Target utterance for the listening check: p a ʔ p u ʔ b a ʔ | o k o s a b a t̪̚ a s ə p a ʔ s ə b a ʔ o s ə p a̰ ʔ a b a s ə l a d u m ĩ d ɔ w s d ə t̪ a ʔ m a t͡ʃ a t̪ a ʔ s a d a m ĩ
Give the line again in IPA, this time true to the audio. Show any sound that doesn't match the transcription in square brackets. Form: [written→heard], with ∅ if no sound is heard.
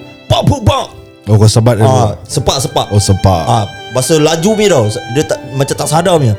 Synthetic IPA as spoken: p a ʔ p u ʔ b a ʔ | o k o s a b a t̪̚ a s ə p a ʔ s ə [b→p] a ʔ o s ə p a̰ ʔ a b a s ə l a [d→d͡ʒ] u m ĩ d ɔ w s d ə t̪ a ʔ m a t͡ʃ a t̪ a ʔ s a d a m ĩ